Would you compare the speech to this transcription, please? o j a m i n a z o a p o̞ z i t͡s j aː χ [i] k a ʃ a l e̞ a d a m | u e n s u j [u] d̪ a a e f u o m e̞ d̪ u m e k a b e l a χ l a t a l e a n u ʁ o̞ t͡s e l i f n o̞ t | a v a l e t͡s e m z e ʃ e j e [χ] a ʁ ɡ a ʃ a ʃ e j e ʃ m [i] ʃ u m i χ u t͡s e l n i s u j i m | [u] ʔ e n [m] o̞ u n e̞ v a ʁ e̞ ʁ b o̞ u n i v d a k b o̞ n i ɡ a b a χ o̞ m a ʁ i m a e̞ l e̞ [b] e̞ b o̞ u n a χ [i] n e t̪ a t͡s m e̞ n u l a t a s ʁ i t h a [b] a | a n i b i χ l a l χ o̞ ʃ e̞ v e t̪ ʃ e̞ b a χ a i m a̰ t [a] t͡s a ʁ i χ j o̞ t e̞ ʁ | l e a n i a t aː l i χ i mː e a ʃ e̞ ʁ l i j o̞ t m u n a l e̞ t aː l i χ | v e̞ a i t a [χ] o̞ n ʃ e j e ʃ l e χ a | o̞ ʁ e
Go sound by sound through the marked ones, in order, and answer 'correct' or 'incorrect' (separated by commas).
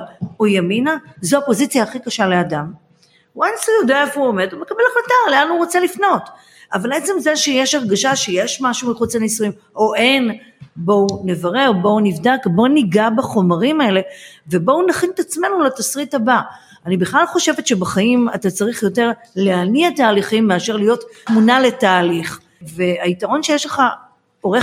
correct, incorrect, incorrect, incorrect, incorrect, incorrect, incorrect, correct, correct, correct, incorrect